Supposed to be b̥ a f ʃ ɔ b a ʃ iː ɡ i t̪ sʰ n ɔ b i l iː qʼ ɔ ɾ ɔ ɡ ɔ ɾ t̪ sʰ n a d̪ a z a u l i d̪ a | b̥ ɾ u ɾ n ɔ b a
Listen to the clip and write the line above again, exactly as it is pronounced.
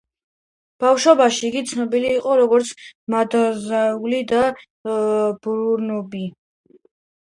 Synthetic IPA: b̥ a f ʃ ɔ b a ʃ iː ɡ i t̪ sʰ n ɔ b i l iː qʼ ɔ ɾ ɔ ɡ ɔ ɾ t̪ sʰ m a d̪ a z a u l i d̪ a | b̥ ɾ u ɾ n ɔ b i